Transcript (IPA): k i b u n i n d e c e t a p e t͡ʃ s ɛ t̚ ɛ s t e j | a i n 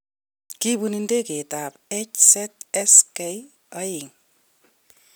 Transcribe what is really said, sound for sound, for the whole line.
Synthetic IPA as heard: k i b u n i n d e k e t a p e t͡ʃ s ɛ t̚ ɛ s k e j | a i ŋ